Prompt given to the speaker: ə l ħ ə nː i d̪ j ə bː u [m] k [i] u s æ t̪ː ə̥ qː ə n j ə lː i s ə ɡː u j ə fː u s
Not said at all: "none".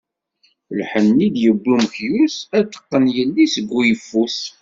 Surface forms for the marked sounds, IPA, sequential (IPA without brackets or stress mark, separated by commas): m, j